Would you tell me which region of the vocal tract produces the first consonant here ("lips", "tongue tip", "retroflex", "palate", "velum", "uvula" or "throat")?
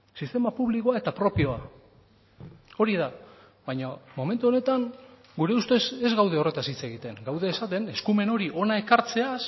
tongue tip